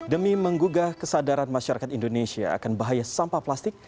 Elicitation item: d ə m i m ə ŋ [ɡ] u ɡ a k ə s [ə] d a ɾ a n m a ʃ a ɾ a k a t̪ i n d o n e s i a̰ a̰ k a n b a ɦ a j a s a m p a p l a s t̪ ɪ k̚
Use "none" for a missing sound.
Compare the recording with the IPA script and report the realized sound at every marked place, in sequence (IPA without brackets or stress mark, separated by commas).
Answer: ɡ, a